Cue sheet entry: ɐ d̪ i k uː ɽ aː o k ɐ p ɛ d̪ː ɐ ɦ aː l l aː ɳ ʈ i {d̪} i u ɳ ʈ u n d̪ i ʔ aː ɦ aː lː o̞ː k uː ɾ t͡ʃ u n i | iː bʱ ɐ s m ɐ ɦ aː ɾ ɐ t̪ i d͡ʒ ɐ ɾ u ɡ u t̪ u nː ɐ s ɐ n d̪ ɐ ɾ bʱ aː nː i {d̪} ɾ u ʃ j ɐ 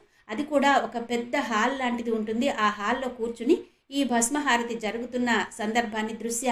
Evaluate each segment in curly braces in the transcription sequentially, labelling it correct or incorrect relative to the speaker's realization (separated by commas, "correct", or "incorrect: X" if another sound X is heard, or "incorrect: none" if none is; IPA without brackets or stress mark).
correct, correct